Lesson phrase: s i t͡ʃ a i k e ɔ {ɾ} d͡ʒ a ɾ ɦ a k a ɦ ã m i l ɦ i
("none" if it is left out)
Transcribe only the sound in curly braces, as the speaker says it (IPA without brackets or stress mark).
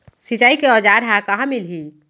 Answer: none